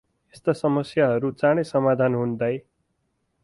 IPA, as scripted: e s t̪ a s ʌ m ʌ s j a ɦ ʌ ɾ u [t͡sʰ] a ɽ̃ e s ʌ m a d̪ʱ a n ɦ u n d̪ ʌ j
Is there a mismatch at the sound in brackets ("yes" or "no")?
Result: yes